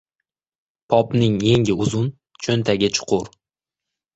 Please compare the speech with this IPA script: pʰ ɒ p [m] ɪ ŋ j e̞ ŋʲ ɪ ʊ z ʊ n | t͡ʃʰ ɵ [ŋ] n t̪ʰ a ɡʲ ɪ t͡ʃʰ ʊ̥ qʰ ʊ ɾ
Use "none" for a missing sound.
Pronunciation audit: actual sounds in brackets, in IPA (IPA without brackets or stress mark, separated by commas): n, none